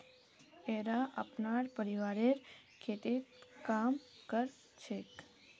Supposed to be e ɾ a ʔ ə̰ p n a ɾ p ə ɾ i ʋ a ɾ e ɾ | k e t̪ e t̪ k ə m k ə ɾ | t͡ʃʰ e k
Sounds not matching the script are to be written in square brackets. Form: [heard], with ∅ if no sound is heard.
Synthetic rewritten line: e ɾ a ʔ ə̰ p n a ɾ p ə ɾ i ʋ a ɾ e ɾ | [kʰ] e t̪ e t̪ k [a] m k ə ɾ | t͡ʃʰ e k